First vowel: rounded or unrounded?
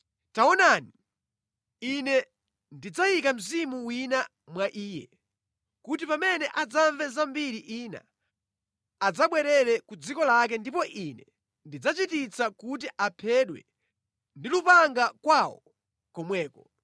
unrounded